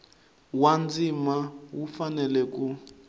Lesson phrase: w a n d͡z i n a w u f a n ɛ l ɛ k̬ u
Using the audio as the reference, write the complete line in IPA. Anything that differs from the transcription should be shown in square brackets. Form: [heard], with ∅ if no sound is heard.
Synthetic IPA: w a n d͡z i [m] a w u f a n ɛ l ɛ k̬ u